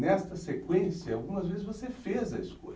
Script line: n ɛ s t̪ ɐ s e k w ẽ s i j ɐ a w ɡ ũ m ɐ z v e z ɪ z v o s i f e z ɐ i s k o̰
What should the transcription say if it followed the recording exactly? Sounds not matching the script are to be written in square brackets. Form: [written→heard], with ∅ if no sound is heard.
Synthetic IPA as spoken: n ɛ s t̪ ɐ s e k w ẽ s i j ɐ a w ɡ ũ m ɐ z v e z ɪ z v o s [i→e] f e z ɐ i s k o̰